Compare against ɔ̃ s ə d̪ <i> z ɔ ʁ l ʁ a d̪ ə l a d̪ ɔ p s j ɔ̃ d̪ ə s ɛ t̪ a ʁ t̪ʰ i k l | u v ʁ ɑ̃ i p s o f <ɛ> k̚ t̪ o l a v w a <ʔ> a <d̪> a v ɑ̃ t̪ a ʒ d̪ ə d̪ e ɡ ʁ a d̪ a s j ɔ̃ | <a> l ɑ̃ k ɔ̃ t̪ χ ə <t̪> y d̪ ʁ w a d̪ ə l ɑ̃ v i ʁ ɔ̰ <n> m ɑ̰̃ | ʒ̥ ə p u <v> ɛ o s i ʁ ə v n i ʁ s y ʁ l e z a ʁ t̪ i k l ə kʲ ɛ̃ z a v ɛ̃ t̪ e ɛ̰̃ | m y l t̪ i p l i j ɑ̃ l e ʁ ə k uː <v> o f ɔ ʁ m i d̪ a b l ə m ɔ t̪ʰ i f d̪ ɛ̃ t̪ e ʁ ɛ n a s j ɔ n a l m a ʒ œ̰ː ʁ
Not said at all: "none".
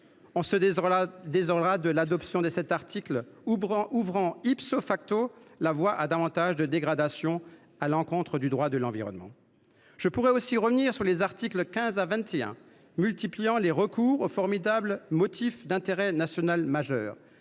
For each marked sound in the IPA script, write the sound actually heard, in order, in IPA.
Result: e, a, ʔ, d̪, a, d̪, n, ʁ, ʁ

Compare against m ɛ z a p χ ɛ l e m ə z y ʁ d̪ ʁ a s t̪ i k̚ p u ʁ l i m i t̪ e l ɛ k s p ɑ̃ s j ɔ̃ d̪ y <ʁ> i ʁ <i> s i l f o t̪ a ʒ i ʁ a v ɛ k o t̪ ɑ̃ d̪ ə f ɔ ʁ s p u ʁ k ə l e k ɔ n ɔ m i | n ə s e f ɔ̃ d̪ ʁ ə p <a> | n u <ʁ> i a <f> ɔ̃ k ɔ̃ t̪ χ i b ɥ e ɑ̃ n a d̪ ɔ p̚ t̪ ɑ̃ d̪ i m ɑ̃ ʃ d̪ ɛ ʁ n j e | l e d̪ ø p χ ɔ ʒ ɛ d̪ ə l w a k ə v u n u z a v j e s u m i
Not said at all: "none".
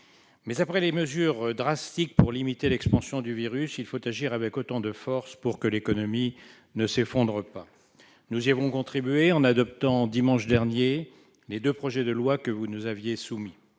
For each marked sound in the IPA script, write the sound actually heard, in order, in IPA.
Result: v, y, a, z, v

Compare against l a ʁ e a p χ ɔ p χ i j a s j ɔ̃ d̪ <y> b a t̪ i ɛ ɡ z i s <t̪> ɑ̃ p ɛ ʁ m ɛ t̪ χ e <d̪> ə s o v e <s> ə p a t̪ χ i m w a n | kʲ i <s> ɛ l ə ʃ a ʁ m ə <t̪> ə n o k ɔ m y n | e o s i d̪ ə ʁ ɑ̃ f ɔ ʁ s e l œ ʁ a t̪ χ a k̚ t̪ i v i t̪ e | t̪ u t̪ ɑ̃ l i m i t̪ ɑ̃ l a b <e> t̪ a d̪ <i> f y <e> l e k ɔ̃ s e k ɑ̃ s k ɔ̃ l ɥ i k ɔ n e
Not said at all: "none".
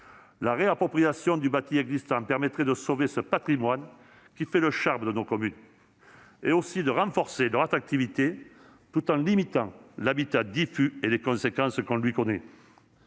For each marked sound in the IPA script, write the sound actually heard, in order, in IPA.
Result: y, t̪, d̪, s, f, d̪, i, i, e

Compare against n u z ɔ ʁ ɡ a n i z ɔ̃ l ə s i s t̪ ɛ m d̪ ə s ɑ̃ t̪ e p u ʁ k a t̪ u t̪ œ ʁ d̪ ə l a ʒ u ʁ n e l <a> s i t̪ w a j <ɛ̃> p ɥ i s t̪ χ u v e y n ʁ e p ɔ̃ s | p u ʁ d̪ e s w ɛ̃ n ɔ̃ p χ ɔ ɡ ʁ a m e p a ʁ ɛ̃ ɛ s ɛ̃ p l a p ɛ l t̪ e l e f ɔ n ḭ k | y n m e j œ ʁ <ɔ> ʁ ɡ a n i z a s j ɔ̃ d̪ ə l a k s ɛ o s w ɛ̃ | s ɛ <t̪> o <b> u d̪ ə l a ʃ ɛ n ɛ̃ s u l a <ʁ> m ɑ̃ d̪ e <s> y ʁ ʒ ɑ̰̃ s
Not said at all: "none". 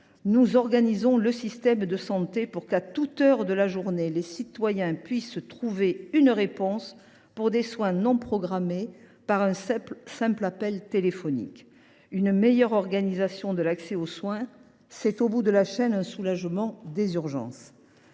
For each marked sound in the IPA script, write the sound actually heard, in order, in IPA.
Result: e, ɛ̃, ɔ, t̪, b, ʒ, z

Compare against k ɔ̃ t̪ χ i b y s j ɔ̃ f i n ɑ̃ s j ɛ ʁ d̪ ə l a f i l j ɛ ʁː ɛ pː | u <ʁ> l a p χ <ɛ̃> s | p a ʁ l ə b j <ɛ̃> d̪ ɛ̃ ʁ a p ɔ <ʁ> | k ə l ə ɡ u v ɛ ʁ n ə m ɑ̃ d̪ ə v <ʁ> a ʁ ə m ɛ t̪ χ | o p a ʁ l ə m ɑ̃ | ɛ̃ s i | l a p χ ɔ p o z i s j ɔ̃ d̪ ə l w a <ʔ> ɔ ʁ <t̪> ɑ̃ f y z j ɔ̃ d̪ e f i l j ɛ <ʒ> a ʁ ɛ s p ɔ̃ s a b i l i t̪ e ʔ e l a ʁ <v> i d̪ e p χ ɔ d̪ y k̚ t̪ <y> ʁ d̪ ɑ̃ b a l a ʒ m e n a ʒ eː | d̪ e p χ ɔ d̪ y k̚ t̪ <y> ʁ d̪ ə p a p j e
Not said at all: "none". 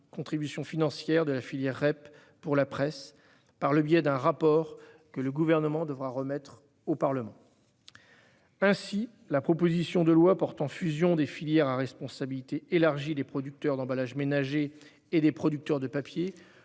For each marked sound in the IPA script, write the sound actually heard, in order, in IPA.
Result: ʁ, ɛ, ɛ, ʁ, ʁ, p, t̪, ʁ, ʒ, œ, œ

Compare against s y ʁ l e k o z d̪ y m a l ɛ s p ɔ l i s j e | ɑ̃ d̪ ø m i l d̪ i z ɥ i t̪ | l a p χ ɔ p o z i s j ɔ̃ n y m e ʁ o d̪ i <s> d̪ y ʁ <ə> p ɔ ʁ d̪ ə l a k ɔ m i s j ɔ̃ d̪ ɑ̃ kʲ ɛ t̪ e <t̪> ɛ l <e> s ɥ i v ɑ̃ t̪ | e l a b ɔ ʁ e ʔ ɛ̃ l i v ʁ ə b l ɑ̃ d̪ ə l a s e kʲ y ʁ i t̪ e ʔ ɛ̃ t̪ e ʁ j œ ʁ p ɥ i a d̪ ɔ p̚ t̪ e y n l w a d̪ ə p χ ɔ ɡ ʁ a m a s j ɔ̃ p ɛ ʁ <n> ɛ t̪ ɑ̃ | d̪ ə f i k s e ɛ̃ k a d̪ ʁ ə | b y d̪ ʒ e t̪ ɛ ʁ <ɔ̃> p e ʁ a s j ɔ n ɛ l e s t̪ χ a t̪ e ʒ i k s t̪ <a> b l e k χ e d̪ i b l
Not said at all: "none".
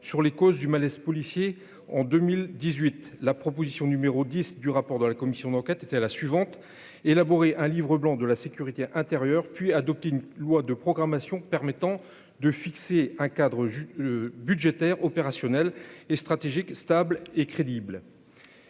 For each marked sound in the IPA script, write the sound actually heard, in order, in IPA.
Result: s, a, t̪, a, m, ɔ, a

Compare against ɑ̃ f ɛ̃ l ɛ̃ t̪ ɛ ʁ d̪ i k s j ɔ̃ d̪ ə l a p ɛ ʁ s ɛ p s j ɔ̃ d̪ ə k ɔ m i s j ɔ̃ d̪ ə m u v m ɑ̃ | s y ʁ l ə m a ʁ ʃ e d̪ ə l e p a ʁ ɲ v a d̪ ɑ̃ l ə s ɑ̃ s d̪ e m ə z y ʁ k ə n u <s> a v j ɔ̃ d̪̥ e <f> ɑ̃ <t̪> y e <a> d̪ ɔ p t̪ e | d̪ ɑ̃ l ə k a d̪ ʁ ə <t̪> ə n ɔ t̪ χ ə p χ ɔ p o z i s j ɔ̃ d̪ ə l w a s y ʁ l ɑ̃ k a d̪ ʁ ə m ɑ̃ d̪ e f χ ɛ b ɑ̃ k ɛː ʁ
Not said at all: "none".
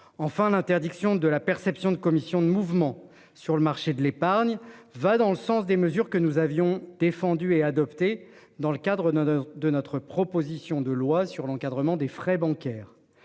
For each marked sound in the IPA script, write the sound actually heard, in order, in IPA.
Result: z, f, d̪, a, d̪

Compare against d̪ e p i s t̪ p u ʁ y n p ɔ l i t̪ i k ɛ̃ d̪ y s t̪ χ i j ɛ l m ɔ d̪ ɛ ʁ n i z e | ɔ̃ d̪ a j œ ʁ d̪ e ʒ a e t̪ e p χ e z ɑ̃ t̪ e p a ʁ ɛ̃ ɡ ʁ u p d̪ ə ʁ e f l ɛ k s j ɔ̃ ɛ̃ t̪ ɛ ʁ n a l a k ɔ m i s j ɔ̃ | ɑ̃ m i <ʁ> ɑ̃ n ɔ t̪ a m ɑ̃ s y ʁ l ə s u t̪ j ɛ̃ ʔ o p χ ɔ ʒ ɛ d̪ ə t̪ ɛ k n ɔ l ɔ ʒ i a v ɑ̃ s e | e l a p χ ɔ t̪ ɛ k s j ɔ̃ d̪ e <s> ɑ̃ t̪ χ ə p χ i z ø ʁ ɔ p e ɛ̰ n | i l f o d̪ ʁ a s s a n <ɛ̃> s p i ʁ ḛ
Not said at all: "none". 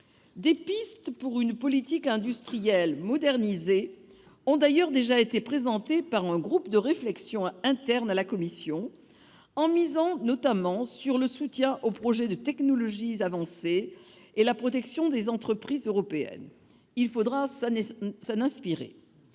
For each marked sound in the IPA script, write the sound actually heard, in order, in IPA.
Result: z, z, ɛ̃

